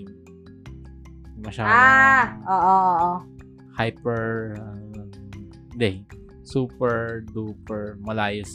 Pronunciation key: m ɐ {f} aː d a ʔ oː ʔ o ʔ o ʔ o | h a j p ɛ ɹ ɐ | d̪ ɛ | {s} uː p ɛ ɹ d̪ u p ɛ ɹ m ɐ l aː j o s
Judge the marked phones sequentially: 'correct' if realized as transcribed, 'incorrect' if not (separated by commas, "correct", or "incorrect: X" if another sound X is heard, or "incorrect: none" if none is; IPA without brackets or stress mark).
incorrect: ʃ, correct